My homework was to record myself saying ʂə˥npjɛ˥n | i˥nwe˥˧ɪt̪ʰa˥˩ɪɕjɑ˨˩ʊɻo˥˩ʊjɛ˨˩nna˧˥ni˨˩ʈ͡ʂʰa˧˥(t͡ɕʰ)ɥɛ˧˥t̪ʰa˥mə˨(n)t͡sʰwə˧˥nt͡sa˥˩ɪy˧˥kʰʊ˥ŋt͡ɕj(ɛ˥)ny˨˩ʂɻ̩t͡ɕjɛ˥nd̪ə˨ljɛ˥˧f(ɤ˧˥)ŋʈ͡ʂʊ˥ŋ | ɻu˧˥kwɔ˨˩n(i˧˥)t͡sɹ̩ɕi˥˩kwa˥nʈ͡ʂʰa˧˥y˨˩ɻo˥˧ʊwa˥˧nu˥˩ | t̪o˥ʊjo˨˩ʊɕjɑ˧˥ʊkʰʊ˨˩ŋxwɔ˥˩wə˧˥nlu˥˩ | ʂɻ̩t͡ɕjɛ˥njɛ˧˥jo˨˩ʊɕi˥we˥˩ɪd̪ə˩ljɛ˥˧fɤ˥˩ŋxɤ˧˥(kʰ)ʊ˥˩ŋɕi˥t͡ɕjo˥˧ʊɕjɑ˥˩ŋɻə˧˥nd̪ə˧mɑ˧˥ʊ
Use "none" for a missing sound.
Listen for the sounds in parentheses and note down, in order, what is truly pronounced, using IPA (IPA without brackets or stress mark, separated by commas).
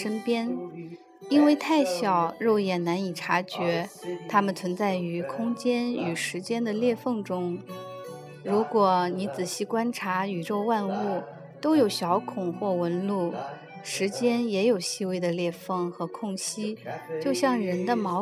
t͡ɕ, n, ɛ˥, ɤ˥˩, i˧˥, kʰ